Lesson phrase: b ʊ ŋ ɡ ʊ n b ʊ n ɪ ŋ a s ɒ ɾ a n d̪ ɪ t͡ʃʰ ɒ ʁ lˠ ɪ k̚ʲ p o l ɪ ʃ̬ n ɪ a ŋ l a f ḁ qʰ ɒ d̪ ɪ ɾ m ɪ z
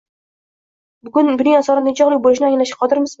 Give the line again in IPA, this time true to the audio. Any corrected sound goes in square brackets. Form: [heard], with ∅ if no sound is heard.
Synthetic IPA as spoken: b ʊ [∅] ɡ ʊ n b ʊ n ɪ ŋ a s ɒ ɾ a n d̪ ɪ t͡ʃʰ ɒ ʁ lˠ ɪ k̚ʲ [b] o l ɪ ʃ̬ n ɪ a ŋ l a [ʃ] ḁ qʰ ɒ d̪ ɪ ɾ m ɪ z